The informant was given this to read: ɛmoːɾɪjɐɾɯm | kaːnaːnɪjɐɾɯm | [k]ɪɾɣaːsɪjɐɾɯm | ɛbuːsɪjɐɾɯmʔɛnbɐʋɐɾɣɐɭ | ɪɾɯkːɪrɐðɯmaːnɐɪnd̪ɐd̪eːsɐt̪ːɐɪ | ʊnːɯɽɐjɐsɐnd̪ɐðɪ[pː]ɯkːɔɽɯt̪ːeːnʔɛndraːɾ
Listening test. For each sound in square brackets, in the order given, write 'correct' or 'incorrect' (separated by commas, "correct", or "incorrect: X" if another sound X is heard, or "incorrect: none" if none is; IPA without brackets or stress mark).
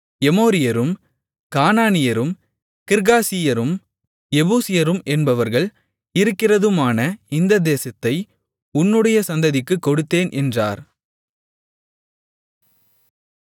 correct, incorrect: kː